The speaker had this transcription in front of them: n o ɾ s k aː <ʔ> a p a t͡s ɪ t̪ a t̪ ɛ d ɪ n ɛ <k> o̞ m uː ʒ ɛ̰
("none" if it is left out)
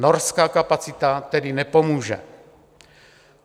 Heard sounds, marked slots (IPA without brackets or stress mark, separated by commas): k, p